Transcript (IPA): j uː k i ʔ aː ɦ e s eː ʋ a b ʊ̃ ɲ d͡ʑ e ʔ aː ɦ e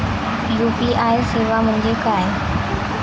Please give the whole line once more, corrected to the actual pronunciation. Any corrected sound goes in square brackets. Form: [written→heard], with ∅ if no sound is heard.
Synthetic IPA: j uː [k→p] i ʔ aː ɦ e s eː ʋ a [b→m] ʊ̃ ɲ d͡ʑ e [ʔ→k] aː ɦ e